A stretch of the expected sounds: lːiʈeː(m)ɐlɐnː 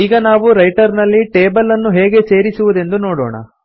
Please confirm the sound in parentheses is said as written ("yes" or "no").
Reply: no